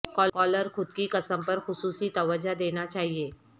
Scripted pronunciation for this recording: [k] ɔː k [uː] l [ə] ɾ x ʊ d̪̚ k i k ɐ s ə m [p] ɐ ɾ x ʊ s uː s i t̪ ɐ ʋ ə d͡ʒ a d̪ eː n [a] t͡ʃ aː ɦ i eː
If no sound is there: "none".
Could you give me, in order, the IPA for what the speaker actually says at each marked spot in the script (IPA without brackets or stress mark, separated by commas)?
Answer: k, ɔː, ə, p, a